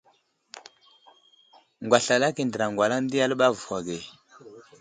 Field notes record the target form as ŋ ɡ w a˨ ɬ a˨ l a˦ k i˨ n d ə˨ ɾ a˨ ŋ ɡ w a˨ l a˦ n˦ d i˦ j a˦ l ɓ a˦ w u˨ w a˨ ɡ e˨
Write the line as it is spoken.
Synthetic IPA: ŋ ɡ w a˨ ɬ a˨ l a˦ k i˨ n d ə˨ ɾ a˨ ŋ ɡ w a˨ l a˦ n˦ d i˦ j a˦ l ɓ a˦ v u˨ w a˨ ɡ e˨